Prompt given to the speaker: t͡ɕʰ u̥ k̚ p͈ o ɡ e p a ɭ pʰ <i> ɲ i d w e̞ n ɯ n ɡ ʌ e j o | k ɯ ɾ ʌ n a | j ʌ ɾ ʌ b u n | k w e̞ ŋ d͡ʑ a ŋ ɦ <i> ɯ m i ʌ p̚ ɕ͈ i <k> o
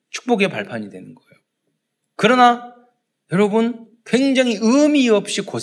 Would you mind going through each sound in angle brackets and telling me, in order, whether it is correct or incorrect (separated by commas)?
incorrect, correct, correct